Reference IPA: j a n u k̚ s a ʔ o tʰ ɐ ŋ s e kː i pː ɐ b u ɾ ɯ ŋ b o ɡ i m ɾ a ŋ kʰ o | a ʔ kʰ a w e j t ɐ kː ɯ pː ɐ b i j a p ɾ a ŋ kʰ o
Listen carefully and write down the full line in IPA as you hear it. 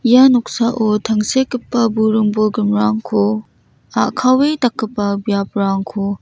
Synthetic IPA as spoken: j a n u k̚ s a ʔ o tʰ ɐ ŋ s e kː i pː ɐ b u ɾ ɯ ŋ b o ɡ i m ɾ a ŋ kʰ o | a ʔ kʰ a w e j t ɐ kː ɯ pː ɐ b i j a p ɾ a ŋ kʰ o